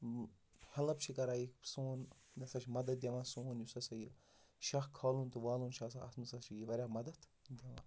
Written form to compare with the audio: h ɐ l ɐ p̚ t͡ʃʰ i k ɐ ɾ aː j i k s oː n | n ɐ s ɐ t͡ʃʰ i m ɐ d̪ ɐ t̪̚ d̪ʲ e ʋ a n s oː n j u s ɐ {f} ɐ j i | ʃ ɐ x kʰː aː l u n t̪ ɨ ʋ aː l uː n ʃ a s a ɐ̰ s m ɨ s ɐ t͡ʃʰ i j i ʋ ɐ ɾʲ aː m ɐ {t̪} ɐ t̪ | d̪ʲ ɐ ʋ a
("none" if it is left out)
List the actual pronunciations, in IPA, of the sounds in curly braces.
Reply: s, d̪

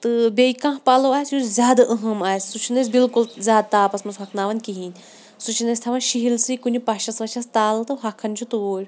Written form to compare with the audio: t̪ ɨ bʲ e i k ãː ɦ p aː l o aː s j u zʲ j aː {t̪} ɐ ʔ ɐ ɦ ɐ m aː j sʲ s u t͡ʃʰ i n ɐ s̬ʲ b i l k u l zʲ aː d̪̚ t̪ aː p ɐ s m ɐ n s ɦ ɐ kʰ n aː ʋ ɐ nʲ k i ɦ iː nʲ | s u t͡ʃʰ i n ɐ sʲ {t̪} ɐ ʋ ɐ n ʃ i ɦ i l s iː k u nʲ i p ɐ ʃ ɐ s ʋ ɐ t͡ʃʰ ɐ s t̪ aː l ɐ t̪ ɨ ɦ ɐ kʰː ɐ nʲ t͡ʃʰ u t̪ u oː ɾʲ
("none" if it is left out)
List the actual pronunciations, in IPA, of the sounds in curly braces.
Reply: d̪, t̪ʰ

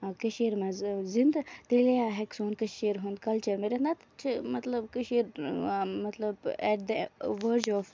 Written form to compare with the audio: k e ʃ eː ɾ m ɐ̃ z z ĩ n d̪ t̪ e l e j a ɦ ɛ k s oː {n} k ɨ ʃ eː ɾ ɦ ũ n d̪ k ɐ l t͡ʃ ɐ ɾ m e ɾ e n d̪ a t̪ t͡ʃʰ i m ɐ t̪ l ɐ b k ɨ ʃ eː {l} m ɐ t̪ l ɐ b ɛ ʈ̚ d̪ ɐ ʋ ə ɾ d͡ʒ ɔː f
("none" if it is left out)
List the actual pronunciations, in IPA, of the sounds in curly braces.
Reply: n, ɾ

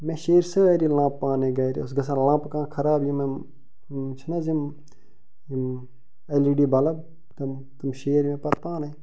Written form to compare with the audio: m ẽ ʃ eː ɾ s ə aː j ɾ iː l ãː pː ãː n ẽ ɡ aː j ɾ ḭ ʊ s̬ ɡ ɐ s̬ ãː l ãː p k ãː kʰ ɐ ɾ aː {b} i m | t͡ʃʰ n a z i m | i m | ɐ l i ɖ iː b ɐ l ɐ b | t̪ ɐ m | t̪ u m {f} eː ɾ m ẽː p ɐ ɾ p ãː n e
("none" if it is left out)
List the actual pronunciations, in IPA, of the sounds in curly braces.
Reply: b, ʃ

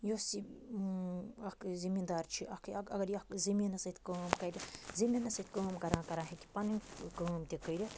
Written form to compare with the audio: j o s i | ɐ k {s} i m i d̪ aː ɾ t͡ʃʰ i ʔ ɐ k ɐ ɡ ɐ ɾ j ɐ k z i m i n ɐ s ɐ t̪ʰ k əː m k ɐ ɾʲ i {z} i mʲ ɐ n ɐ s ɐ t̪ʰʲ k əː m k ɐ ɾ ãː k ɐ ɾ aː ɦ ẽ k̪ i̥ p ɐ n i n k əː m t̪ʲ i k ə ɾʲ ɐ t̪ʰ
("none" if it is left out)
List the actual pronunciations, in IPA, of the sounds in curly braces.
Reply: z, z

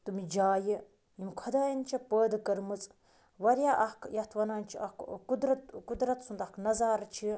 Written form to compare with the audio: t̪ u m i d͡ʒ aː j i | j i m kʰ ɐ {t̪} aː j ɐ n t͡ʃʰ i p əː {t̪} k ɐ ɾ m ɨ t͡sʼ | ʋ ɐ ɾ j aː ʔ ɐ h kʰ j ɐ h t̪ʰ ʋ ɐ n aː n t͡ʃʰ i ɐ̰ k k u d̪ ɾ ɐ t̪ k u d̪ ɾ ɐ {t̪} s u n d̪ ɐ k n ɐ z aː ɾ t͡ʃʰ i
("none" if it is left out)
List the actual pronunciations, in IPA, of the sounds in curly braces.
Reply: d̪, d̪, t̪

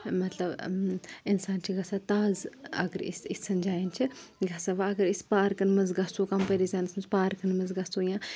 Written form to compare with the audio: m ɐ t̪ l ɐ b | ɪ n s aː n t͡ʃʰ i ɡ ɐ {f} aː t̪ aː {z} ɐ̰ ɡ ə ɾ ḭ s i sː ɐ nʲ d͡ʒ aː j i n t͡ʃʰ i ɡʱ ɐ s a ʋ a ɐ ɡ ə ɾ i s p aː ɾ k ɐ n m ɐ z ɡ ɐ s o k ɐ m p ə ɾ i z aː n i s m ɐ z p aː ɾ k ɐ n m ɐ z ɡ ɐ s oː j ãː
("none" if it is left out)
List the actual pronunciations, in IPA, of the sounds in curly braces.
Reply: s, z

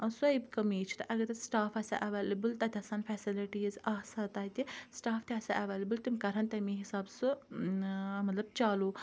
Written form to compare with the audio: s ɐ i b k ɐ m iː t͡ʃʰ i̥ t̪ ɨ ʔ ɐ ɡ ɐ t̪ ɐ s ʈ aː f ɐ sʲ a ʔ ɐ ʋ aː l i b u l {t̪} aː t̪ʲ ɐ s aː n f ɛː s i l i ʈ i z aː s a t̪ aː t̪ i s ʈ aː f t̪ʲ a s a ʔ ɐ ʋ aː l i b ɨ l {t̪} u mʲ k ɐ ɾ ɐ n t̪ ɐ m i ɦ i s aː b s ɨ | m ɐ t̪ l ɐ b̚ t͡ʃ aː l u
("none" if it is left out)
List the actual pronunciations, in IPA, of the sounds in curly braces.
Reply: t̪, t̪

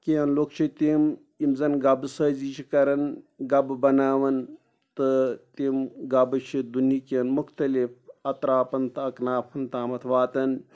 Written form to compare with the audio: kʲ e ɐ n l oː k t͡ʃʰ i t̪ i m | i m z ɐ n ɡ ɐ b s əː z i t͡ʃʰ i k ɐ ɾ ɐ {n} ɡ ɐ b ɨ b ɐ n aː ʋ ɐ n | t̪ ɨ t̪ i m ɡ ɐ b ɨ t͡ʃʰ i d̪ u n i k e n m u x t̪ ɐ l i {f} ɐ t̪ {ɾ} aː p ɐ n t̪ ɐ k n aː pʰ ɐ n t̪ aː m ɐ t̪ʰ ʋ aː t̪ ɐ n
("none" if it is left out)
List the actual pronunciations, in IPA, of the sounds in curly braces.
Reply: n, f, ɾ

